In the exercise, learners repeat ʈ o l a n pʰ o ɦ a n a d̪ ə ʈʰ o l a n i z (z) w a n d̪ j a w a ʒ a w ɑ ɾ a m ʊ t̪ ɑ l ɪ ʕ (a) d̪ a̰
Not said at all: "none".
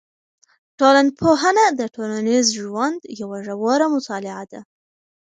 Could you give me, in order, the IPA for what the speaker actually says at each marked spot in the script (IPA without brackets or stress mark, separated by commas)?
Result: ʒ, a